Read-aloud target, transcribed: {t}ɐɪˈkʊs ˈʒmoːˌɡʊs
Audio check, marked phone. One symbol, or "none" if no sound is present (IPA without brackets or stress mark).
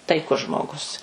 t